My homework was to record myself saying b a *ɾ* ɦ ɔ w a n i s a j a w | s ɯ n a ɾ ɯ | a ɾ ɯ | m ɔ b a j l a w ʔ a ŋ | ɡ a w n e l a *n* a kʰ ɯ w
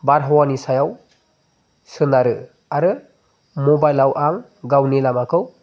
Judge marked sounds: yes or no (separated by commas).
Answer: yes, no